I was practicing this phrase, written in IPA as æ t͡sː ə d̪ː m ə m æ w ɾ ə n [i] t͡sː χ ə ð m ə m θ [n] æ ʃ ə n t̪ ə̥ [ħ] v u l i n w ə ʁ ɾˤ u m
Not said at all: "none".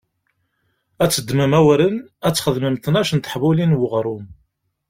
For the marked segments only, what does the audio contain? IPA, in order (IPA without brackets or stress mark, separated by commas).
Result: æ, n, ħ